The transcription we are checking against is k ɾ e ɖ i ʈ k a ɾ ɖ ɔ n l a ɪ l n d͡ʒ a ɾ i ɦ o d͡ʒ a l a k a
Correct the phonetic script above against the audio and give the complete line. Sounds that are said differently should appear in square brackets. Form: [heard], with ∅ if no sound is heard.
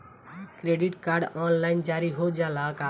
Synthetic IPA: k ɾ e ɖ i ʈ k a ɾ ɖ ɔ n l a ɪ [∅] n d͡ʒ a ɾ i ɦ o d͡ʒ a l a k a